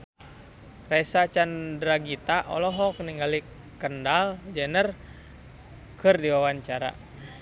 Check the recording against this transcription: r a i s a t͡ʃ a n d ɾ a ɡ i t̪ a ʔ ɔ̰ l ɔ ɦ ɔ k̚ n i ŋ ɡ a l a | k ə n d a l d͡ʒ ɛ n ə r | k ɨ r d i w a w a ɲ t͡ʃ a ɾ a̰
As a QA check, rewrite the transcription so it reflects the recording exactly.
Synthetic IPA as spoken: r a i s a t͡ʃ a n d ɾ a ɡ i t̪ a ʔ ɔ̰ l ɔ ɦ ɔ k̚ n i ŋ ɡ a l i | k ə n d a l d͡ʒ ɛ n ə r | k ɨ r d i w a w a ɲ t͡ʃ a ɾ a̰